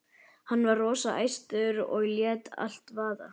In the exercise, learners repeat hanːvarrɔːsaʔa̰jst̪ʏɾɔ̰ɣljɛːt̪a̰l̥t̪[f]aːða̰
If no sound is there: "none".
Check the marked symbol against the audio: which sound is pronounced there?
v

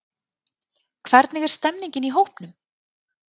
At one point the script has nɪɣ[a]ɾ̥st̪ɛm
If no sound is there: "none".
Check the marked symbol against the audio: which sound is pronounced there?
ɛ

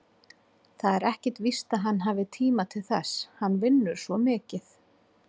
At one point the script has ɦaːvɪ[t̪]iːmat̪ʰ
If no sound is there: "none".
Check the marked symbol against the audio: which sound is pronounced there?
t̪ʰ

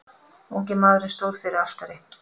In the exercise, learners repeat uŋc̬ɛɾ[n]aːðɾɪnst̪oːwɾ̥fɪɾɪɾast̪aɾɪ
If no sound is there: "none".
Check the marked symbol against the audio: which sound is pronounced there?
m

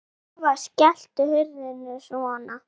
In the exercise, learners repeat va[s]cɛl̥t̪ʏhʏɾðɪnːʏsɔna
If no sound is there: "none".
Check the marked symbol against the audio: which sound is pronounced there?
s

